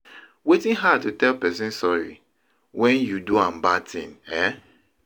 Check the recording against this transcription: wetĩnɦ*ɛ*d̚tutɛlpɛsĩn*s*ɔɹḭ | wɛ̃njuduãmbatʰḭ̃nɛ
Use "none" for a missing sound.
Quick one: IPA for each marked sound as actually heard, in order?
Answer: a, s

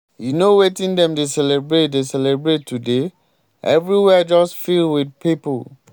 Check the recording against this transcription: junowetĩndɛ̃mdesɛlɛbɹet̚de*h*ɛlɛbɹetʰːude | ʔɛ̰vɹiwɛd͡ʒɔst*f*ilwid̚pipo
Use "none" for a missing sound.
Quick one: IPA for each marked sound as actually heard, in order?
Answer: s, f

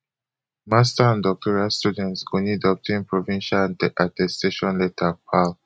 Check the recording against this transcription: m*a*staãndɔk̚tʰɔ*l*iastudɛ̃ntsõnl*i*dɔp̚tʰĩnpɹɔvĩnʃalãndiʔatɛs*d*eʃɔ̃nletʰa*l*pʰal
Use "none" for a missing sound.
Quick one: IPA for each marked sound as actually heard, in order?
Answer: a, ɹ, i, t, none

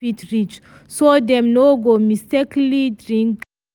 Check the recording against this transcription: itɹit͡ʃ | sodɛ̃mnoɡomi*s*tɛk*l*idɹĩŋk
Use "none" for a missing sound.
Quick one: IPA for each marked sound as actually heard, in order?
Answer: s, l

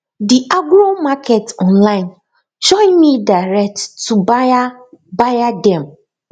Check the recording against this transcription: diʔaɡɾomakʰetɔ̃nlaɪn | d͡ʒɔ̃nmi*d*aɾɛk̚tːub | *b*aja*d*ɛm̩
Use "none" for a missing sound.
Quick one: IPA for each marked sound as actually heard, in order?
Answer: d, b, d

